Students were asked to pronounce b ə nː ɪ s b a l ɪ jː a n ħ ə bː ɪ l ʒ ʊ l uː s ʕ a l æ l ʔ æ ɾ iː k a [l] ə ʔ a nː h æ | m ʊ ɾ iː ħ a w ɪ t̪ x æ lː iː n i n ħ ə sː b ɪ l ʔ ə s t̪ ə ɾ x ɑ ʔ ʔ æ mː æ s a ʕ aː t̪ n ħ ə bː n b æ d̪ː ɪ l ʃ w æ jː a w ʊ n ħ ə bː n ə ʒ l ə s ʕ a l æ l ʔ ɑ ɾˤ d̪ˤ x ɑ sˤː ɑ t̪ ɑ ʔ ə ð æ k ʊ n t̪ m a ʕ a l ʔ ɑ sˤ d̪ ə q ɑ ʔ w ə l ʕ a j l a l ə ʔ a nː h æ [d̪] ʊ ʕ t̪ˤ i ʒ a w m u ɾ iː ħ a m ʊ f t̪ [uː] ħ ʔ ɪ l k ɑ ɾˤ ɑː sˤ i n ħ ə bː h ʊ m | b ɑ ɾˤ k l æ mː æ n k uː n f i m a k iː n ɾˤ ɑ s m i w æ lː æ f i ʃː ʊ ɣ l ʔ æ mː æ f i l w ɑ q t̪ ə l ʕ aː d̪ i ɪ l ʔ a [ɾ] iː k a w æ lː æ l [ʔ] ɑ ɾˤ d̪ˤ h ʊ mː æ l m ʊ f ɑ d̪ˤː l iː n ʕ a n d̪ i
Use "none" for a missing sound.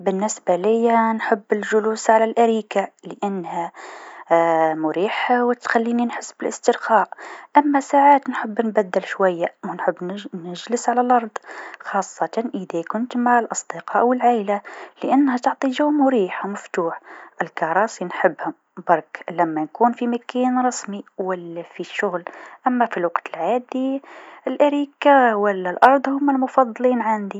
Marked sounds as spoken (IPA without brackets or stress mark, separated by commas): l, t̪, uː, ɾ, ʔ